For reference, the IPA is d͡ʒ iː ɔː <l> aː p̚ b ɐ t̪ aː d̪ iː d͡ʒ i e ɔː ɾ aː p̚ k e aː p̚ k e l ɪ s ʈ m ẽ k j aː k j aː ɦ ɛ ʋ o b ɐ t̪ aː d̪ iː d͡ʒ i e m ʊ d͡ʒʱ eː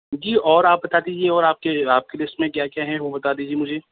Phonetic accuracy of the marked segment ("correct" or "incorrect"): incorrect